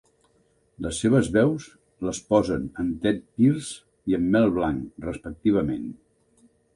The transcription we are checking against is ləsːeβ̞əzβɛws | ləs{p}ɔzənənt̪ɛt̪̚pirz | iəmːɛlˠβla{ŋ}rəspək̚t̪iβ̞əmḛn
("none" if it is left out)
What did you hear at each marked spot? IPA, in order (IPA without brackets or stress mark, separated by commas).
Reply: p, ŋ